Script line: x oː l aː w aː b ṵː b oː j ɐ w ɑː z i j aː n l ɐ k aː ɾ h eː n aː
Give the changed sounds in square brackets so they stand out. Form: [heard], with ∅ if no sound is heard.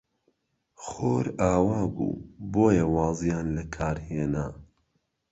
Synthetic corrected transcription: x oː [ɾ] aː w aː b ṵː b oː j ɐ w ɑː z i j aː n l ɐ [kʰ] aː ɾ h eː n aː